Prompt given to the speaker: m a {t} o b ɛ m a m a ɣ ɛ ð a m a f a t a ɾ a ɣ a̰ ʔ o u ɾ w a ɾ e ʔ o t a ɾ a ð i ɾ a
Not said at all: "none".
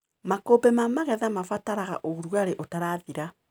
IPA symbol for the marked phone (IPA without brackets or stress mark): k